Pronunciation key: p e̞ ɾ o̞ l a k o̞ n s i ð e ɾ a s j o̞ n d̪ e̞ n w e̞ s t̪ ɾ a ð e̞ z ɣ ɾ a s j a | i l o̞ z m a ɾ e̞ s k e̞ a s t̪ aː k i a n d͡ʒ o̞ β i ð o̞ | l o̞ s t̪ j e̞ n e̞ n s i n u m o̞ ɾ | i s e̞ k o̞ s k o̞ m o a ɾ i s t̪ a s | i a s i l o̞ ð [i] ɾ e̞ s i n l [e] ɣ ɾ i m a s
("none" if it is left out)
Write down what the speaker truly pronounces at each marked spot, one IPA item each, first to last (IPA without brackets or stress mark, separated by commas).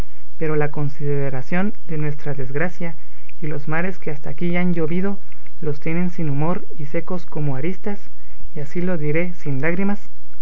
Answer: i, a